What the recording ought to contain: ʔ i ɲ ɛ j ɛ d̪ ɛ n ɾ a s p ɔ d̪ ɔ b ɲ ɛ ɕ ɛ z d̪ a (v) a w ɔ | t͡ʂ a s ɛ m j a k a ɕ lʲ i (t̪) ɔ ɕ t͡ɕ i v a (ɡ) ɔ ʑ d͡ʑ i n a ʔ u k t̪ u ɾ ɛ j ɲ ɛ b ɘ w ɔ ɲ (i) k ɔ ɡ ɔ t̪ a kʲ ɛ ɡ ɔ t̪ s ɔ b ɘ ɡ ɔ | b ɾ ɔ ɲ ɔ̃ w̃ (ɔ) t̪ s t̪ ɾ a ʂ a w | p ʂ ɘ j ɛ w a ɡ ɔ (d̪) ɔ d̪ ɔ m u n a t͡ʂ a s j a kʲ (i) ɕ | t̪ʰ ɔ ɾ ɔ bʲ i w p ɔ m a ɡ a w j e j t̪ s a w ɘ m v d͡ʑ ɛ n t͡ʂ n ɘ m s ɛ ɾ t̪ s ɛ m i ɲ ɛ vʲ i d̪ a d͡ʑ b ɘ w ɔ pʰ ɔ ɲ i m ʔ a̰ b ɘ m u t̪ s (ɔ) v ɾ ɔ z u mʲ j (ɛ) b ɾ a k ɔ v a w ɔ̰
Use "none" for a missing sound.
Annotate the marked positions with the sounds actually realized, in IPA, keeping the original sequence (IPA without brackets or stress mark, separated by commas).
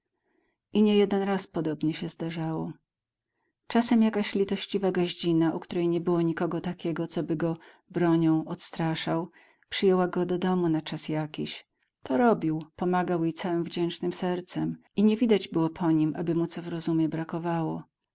ʐ, t̪, ɡ, i, ɔ, d̪, i, ɔ, ɛ